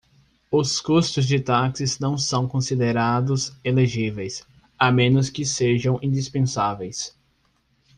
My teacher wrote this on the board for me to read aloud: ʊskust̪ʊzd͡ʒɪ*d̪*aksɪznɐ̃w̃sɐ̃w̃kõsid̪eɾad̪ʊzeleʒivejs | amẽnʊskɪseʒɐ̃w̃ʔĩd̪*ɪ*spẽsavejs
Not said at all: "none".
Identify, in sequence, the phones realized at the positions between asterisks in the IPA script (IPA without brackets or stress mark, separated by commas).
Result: t̪, i